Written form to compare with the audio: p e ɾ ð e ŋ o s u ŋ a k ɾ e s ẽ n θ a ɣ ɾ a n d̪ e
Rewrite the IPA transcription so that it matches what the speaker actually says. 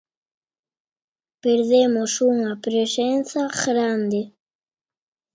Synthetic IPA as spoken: p e ɾ ð e m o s u ŋ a p ɾ e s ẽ n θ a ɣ ɾ a n d̪ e